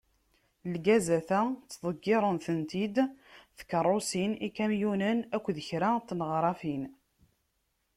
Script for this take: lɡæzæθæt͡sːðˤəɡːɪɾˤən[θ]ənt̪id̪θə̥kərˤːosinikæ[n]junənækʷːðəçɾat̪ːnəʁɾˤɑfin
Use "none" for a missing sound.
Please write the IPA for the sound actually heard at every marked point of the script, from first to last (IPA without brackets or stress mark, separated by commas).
θ, m